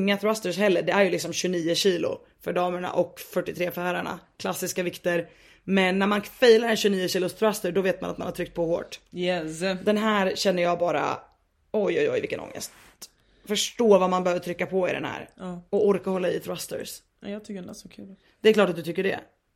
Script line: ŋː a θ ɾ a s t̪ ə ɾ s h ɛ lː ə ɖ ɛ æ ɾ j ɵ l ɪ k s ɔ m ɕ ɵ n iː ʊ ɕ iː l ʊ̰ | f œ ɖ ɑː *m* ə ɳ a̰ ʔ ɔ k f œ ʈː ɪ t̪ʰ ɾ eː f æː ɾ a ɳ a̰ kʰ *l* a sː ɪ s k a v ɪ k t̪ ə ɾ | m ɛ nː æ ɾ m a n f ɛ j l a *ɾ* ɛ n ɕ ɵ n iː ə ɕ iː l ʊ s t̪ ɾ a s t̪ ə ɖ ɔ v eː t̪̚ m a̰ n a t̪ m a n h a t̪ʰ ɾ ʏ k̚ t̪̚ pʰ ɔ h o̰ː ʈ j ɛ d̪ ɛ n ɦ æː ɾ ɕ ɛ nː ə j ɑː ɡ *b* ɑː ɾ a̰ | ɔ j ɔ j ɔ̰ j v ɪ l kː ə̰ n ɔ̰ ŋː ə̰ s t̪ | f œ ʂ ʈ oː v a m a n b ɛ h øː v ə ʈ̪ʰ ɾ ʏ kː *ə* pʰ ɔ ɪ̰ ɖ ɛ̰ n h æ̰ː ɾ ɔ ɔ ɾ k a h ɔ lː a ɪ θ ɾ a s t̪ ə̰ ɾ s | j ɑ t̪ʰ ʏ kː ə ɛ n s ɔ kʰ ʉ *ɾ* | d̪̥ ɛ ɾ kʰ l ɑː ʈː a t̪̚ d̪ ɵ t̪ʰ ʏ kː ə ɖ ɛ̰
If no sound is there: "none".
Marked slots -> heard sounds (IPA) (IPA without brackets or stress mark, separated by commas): m, l, ɾ, b, a, l